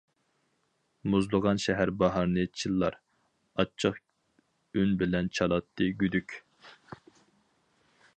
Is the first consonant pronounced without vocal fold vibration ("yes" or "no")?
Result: no